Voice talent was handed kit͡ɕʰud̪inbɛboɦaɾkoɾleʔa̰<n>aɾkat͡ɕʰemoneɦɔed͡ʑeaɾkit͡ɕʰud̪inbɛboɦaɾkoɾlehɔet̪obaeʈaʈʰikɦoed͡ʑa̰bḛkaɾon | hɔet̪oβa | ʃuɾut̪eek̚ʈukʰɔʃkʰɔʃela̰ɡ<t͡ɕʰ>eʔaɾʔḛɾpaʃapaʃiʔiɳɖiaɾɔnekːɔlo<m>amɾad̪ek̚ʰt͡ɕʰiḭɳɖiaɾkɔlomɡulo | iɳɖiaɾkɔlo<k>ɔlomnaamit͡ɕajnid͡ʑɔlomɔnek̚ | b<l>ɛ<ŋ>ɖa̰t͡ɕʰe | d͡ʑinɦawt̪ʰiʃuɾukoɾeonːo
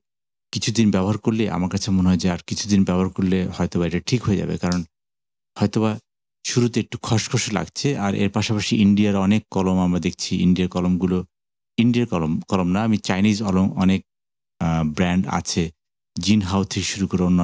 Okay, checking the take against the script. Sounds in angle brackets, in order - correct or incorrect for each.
incorrect, correct, correct, correct, incorrect, incorrect

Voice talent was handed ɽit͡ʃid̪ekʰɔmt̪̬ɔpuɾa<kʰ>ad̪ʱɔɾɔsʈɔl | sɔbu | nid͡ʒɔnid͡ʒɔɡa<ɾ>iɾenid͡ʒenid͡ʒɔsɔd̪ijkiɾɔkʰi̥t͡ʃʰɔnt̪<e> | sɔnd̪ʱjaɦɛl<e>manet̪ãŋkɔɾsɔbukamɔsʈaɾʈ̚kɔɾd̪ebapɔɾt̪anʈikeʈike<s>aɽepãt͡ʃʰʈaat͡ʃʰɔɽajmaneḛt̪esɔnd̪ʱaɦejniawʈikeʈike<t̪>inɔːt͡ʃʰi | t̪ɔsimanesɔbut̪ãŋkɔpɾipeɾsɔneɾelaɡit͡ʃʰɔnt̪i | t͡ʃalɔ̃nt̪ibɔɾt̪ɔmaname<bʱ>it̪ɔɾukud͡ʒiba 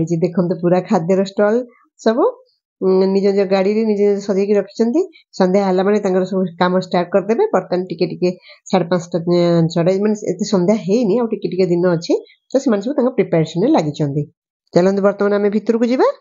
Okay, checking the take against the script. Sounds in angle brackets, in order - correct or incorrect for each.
correct, incorrect, incorrect, incorrect, correct, incorrect, correct

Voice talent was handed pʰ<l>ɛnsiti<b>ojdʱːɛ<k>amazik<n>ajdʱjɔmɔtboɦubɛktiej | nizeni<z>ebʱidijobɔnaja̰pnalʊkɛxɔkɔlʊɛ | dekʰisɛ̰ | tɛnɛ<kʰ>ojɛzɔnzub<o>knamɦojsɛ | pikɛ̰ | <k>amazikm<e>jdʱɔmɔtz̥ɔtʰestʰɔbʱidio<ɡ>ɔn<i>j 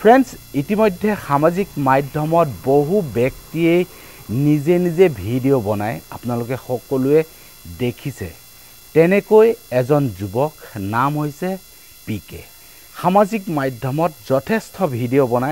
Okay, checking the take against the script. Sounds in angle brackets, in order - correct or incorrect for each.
incorrect, incorrect, incorrect, incorrect, correct, incorrect, incorrect, incorrect, incorrect, incorrect, incorrect

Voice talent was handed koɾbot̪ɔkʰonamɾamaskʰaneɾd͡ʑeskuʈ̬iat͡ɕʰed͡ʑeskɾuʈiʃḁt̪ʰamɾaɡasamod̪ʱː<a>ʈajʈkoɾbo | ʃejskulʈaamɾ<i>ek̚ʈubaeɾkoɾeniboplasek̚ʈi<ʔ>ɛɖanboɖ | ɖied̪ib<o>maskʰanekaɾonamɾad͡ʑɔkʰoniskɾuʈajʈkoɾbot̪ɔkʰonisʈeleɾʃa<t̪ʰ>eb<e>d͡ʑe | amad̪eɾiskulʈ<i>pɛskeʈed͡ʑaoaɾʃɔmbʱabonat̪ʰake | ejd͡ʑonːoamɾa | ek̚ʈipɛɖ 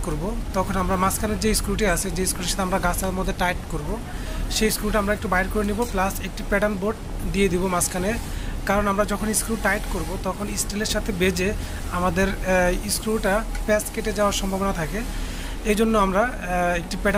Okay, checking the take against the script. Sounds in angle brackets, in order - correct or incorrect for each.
incorrect, incorrect, incorrect, correct, correct, correct, incorrect

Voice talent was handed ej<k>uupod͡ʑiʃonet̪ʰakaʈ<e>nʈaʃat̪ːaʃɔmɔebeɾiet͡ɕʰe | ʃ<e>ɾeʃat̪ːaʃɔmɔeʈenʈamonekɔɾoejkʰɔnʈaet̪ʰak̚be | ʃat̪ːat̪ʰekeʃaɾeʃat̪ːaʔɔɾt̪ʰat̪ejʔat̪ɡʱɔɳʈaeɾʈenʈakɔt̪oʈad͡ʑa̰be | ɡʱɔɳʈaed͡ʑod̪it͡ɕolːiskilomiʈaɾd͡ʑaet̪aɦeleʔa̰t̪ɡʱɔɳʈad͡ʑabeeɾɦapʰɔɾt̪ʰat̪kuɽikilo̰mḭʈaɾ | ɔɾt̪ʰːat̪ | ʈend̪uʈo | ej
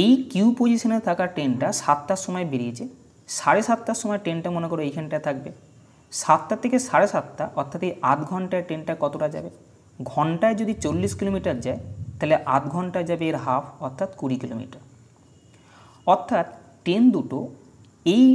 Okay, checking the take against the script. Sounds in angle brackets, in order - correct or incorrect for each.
correct, correct, incorrect

